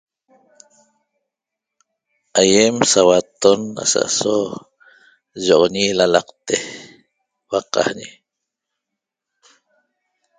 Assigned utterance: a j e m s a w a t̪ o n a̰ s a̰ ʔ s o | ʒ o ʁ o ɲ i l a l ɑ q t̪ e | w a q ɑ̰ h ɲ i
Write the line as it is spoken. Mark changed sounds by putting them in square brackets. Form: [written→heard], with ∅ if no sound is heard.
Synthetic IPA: a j e m s a w a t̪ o n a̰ s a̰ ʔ s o | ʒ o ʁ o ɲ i l a l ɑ q t̪ e | w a q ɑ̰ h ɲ i